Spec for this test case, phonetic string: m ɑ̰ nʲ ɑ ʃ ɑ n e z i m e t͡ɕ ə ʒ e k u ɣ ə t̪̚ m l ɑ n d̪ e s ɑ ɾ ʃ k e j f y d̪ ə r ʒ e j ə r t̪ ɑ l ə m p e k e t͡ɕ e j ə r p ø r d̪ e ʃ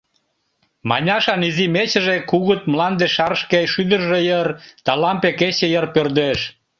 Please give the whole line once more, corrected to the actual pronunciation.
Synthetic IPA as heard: m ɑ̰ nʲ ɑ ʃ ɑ n i z i m e t͡ɕ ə ʒ e k u ɣ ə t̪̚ m l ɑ n d̪ e ʃ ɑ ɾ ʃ k e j ʃ y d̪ ə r ʒ e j ə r t̪ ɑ l ɑ m p e k e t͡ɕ e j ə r p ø r d̪ e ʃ